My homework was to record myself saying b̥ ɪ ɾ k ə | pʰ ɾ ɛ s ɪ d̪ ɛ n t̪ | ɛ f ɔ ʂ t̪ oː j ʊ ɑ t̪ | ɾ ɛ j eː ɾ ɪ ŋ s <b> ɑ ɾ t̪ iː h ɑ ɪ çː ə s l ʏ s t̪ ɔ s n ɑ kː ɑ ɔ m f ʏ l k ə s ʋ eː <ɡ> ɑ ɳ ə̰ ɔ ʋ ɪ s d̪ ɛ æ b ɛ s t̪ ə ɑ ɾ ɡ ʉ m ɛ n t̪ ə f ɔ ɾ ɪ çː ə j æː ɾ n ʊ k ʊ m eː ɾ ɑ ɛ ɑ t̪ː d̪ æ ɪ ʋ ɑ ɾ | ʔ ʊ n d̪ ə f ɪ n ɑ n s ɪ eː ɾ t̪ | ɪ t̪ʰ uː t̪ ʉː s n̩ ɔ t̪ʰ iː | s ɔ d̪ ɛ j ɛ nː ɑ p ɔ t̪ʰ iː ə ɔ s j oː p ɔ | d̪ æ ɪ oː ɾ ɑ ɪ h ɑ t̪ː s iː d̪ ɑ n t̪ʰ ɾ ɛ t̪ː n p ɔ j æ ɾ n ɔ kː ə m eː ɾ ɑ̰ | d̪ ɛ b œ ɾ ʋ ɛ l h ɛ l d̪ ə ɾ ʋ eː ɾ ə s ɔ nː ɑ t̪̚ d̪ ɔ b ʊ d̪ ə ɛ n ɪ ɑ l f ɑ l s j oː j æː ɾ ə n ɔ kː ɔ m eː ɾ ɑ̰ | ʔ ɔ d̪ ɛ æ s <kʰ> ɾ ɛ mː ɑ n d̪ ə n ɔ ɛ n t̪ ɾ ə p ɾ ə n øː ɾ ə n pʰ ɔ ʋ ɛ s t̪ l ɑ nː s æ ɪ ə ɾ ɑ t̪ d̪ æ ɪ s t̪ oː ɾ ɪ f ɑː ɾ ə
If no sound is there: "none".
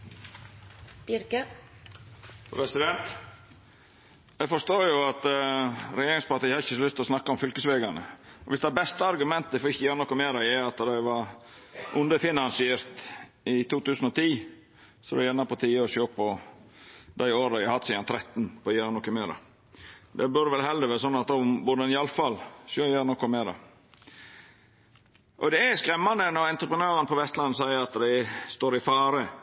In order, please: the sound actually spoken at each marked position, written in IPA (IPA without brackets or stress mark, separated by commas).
p, ɡ, k